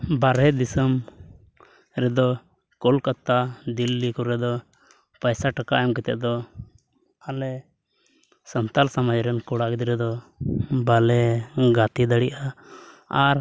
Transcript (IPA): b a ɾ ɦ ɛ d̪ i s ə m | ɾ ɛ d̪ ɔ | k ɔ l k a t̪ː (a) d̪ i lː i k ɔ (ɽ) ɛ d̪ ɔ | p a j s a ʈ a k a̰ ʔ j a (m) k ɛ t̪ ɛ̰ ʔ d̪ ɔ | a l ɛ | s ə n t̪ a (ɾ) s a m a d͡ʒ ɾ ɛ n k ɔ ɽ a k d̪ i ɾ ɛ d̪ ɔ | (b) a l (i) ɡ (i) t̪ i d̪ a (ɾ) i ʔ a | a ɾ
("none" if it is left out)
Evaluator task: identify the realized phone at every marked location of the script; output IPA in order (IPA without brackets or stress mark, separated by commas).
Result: a, ɾ, m, l, b, ɛ, a, ɽ